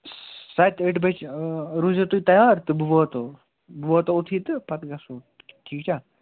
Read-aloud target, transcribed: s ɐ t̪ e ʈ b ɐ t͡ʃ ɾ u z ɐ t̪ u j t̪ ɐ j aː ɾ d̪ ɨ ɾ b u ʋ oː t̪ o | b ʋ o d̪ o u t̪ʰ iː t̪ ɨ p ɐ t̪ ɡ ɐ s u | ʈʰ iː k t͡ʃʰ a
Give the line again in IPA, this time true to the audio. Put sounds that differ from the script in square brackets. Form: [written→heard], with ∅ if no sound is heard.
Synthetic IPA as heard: s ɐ t̪ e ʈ b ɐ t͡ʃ ɾ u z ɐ t̪ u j t̪ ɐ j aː ɾ [d̪→t̪] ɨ [ɾ→∅] b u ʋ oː t̪ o | b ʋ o [d̪→t̪] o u t̪ʰ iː t̪ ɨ p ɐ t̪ ɡ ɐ s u | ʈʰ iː k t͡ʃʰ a